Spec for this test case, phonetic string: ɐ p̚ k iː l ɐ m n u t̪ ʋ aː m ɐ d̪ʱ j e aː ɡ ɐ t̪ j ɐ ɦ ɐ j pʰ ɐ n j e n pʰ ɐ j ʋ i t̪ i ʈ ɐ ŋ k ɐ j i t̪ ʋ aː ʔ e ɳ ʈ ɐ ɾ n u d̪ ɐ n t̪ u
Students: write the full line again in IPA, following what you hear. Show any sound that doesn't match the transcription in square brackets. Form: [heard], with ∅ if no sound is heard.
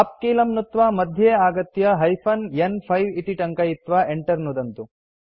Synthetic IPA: ɐ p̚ k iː l ɐ m n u t̪ ʋ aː m ɐ d̪ʱ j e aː ɡ ɐ t̪ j ɐ ɦ ɐ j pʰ ɐ n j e n pʰ ɐ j ʋ i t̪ i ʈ ɐ ŋ k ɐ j i t̪ ʋ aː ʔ e ɳ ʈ ɐ ɾ n u d̪ ɐ n t̪ u